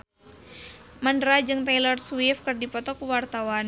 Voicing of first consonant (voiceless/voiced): voiced